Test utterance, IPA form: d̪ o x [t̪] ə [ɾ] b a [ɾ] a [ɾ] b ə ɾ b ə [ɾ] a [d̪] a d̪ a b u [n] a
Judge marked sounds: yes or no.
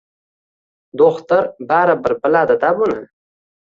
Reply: yes, yes, yes, no, no, yes, yes

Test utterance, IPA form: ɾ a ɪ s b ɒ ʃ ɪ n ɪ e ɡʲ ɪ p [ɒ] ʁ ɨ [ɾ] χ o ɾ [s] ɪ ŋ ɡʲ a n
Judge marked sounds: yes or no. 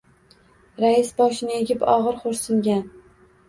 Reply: yes, yes, yes

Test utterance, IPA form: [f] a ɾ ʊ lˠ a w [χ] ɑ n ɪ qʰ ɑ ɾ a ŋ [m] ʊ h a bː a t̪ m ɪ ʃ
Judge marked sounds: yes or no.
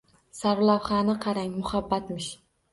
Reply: no, yes, yes

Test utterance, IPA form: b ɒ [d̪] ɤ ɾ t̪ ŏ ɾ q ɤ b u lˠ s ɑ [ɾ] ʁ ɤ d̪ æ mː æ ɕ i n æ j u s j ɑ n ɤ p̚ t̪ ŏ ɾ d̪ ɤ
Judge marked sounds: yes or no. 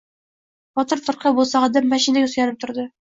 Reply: no, no

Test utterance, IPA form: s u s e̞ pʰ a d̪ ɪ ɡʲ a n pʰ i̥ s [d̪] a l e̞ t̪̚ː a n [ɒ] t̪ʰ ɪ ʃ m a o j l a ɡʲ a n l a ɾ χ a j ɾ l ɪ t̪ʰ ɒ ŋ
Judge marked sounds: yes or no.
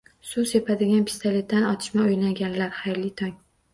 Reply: no, yes

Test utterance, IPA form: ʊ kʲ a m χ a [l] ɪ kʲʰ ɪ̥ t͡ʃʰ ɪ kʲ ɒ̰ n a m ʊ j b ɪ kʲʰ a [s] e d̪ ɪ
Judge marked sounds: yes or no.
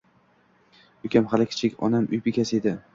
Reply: yes, yes

